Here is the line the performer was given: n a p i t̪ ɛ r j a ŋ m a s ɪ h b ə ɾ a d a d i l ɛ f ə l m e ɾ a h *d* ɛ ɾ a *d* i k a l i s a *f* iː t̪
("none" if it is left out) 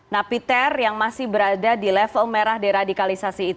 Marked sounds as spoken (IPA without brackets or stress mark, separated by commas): d, d, s